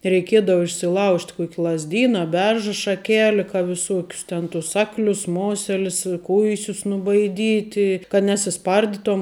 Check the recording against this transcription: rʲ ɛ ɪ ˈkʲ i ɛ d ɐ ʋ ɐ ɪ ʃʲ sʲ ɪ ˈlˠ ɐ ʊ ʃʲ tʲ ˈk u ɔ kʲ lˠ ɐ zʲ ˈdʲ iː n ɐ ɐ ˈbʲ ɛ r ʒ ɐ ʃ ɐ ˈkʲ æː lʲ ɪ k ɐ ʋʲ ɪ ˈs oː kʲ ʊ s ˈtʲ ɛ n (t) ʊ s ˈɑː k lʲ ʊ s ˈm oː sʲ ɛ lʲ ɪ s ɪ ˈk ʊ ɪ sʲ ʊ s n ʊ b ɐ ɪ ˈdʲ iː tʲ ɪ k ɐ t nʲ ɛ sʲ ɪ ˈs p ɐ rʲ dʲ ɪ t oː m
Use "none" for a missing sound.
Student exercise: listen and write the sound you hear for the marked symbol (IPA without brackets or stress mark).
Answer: t